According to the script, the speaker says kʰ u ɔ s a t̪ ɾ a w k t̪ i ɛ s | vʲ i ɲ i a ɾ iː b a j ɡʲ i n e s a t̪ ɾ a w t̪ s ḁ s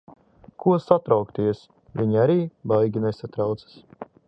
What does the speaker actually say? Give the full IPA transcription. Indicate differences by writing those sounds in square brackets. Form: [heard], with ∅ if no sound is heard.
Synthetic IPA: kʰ u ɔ s a t̪ ɾ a w k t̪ i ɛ s | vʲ i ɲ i a ɾ iː b a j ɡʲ i n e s a t̪ ɾ a w t̪ s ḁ s